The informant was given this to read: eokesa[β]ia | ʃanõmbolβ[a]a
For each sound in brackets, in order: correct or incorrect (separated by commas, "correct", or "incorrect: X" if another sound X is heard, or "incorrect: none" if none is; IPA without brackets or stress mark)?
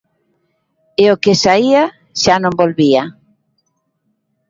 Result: incorrect: none, incorrect: i